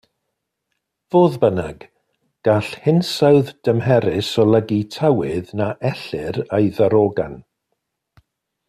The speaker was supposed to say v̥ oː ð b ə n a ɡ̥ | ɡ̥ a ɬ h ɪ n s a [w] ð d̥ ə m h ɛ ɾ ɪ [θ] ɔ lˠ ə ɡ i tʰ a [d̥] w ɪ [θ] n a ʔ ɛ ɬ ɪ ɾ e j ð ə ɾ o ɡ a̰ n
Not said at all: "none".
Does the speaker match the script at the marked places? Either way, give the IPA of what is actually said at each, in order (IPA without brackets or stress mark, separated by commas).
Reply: w, s, none, ð